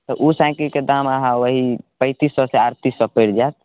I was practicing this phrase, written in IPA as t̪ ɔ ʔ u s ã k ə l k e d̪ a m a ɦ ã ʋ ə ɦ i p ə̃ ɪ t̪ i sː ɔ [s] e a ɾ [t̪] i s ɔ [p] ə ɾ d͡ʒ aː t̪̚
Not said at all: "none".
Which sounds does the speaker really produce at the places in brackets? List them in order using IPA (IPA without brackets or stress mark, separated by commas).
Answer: s, t̪, p